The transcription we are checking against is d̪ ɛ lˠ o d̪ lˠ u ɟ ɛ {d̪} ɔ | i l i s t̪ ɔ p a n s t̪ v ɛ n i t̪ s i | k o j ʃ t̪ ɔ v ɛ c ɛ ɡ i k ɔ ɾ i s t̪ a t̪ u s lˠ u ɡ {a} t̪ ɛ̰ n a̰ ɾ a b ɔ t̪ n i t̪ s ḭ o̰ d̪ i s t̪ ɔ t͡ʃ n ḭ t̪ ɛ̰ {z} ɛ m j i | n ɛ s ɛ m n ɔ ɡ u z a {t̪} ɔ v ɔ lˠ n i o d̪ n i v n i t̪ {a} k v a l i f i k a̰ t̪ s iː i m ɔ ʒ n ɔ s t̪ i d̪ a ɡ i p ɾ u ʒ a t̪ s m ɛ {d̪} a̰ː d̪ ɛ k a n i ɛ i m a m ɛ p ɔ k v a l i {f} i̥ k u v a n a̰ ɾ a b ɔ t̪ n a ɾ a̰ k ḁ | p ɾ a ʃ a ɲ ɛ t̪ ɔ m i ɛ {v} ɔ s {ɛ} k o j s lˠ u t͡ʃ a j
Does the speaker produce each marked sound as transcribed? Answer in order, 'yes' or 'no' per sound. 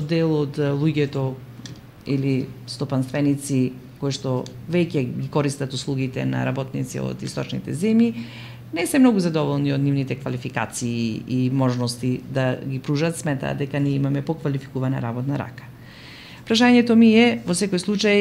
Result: no, no, yes, no, no, no, yes, yes, yes

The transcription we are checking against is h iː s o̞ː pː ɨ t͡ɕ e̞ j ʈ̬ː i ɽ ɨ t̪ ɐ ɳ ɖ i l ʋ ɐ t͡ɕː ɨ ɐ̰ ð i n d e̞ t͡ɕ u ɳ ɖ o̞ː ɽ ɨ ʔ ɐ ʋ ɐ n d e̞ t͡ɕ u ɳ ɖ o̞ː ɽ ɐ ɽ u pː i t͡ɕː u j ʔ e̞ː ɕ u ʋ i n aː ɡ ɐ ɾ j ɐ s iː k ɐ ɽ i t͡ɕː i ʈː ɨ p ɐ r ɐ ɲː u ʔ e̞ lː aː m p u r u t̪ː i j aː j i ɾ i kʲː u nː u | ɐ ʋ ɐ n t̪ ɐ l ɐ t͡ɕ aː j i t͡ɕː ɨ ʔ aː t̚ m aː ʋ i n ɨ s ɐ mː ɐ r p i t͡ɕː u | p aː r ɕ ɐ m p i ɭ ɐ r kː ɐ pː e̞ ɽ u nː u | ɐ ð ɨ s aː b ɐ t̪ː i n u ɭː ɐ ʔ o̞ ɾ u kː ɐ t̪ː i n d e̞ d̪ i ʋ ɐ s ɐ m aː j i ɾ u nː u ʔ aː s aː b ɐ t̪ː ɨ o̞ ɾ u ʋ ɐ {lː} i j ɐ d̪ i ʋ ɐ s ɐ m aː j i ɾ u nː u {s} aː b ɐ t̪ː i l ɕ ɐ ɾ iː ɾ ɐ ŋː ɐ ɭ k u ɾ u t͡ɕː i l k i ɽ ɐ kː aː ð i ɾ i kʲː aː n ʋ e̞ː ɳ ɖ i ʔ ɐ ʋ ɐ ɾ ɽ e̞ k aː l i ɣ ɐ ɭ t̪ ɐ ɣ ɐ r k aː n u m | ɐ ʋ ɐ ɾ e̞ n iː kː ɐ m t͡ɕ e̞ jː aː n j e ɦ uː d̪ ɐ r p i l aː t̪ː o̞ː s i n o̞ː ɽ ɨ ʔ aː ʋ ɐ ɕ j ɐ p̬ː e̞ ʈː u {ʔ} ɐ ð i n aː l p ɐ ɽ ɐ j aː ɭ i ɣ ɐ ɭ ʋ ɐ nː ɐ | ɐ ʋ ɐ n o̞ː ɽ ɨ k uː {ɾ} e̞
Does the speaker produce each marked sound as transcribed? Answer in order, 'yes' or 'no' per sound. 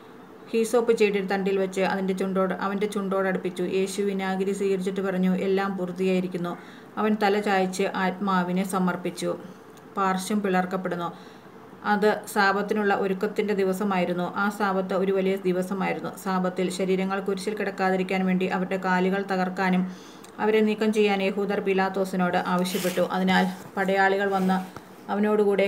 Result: no, yes, yes, no

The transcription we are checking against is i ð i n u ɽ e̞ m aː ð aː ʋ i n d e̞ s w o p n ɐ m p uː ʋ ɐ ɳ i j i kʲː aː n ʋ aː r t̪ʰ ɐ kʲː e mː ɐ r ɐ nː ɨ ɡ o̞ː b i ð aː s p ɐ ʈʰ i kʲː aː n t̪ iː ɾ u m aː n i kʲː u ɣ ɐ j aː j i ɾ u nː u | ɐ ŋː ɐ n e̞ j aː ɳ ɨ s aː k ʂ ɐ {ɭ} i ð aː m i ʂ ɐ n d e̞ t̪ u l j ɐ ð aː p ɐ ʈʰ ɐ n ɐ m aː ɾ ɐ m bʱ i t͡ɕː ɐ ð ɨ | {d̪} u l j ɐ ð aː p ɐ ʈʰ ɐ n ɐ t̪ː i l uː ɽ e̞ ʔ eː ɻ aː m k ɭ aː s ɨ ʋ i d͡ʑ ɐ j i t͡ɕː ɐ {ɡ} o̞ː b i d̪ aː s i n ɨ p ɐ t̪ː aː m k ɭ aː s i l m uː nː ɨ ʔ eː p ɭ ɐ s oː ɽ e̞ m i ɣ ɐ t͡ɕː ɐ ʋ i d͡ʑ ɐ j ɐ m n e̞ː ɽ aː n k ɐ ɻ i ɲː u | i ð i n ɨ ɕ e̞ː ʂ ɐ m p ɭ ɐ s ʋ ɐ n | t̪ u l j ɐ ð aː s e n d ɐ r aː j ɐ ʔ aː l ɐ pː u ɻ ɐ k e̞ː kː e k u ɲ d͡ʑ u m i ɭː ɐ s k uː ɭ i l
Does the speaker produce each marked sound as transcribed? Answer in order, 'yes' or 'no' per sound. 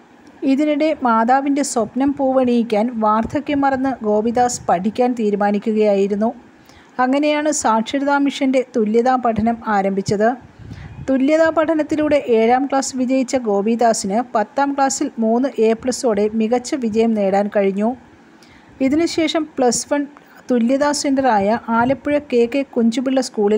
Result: no, no, yes

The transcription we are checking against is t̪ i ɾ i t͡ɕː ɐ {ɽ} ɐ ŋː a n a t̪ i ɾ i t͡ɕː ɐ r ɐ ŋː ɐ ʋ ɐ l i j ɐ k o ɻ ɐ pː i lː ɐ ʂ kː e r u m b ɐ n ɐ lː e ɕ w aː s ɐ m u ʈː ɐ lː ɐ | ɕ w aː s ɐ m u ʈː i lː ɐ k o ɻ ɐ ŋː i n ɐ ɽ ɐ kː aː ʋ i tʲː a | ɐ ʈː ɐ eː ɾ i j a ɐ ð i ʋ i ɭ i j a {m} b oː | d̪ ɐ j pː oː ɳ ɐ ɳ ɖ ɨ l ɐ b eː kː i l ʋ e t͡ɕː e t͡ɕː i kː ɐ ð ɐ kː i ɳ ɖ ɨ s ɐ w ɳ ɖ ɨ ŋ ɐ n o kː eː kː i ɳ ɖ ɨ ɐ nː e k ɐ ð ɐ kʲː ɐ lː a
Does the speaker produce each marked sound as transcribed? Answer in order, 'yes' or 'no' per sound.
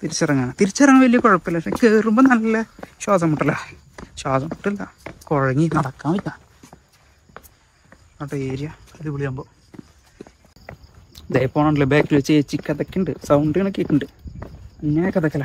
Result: no, yes

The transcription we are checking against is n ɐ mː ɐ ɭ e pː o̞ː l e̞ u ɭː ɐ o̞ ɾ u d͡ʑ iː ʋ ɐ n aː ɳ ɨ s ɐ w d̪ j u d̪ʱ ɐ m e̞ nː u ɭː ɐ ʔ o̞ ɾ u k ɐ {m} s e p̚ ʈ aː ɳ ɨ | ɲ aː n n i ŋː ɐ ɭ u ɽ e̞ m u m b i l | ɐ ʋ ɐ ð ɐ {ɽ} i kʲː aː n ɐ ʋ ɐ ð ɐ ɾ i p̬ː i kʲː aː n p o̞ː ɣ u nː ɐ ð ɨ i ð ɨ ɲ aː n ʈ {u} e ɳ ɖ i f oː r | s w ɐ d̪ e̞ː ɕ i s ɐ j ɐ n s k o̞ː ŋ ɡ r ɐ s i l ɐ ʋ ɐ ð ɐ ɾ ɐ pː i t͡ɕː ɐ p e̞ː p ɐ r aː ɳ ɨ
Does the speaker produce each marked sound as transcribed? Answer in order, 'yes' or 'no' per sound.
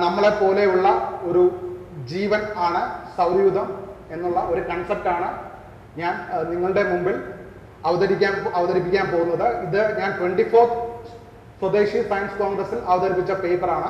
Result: no, no, no

